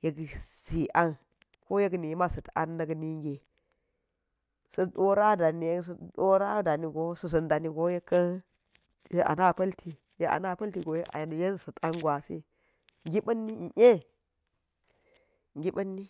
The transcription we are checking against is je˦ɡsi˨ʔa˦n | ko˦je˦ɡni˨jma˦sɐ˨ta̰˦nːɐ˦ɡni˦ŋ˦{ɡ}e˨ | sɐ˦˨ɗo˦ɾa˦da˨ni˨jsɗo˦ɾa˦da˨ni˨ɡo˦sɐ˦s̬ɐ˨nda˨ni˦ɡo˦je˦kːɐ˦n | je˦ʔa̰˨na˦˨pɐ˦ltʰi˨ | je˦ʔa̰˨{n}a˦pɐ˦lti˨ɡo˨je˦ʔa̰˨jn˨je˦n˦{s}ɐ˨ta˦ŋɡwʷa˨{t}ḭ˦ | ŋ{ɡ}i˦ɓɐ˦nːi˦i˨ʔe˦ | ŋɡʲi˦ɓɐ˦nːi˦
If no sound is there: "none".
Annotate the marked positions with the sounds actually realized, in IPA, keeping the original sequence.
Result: ɡ, n, s, s, ɡ

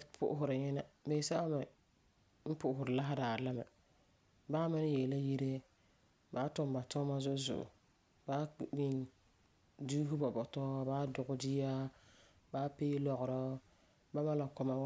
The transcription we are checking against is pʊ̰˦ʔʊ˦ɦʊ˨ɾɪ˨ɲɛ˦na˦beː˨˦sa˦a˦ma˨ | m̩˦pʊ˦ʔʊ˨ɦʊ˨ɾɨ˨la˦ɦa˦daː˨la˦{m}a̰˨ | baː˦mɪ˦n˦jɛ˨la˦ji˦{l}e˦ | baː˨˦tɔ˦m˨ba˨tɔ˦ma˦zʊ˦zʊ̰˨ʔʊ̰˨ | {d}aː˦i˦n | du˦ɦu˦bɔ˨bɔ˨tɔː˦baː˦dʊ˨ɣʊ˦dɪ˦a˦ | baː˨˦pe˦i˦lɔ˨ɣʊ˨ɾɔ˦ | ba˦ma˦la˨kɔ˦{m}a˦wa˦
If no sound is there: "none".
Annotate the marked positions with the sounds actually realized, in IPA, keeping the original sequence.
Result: m, ɾ, b, m

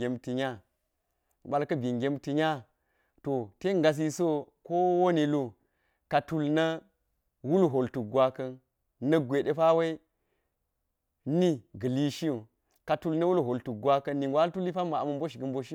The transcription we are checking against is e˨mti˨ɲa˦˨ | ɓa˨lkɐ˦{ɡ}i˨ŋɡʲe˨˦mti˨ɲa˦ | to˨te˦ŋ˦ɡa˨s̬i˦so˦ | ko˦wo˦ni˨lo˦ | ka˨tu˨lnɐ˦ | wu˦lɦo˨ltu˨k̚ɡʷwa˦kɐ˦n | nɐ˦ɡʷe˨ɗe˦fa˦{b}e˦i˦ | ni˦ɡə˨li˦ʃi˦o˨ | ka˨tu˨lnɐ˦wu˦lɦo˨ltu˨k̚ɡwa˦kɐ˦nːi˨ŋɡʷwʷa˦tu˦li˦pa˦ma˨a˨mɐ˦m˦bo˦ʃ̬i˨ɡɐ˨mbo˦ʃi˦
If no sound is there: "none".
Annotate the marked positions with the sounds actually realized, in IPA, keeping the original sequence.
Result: b, w

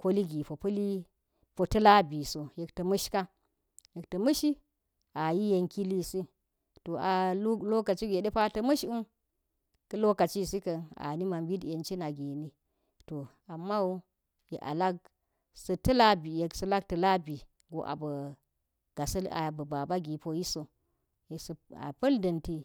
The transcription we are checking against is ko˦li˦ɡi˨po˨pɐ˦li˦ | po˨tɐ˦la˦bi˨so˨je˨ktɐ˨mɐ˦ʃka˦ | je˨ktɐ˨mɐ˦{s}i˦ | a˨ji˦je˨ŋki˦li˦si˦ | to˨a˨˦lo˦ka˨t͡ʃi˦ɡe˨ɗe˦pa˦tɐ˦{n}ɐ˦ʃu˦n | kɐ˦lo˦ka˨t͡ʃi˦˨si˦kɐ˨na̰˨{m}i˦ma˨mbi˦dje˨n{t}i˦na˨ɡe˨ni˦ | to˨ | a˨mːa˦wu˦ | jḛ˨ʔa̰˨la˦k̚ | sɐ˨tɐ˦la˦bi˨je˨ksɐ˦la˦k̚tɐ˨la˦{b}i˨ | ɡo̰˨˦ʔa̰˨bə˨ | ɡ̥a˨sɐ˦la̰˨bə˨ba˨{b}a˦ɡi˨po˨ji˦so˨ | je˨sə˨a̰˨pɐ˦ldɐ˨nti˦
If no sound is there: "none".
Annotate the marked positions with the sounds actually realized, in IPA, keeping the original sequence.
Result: ʃ, m, n, t͡ʃ, b, b

